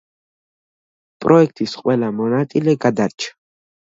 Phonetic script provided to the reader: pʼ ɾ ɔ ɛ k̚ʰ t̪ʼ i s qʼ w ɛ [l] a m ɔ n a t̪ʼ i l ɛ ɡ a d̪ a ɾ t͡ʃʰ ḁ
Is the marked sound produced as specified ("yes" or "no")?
yes